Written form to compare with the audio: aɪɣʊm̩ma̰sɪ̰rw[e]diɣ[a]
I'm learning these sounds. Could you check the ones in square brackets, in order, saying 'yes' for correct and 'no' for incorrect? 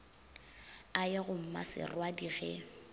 no, no

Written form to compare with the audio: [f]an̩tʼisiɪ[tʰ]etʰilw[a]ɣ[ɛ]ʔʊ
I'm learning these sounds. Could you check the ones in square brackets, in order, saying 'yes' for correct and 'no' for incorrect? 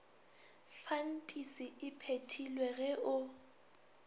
yes, no, no, yes

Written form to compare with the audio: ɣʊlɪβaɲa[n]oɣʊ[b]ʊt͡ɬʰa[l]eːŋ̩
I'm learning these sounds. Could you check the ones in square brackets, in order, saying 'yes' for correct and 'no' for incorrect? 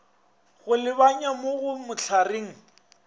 no, no, no

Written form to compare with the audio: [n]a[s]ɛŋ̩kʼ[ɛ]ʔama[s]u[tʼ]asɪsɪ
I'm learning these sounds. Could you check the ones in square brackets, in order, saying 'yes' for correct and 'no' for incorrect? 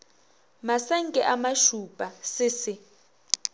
no, yes, yes, no, no

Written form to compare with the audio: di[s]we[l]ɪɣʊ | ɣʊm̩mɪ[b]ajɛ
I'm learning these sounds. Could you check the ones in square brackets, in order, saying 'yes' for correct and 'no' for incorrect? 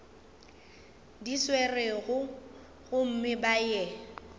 yes, no, yes

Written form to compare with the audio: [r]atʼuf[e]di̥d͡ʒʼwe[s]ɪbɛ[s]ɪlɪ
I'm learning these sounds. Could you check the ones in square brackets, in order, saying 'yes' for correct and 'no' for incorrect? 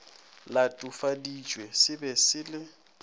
no, no, yes, yes

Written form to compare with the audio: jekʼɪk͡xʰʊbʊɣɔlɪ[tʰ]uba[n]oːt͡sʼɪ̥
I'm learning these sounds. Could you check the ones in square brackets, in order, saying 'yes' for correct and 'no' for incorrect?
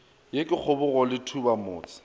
yes, no

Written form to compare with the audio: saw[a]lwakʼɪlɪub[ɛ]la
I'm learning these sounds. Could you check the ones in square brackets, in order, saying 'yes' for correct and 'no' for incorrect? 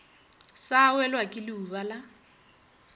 no, no

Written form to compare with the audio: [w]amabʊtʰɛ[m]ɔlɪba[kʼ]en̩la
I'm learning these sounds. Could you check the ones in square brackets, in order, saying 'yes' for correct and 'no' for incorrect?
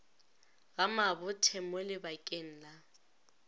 no, yes, yes

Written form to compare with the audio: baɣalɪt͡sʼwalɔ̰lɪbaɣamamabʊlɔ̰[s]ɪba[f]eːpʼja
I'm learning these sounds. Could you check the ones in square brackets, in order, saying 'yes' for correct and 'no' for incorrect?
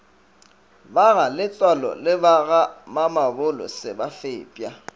yes, yes

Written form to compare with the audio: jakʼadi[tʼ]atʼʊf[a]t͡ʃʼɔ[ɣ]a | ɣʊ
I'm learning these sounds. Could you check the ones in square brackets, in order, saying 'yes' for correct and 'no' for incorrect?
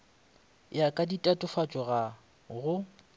yes, yes, yes

